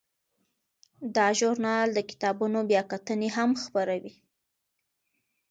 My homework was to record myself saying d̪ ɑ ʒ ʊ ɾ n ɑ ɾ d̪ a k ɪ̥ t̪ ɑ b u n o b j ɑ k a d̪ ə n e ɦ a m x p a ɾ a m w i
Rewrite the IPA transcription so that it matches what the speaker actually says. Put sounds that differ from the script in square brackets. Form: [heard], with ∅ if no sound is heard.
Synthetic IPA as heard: d̪ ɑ ʒ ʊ ɾ n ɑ [l] d̪ [ə] k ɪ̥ t̪ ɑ b u n o b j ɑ k a [t̪] ə n e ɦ a m x p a ɾ a [∅] w i